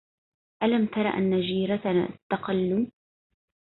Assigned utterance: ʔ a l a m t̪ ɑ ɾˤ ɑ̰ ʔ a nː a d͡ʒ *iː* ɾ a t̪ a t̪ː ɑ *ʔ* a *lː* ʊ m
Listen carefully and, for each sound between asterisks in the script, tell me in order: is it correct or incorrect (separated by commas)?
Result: correct, incorrect, correct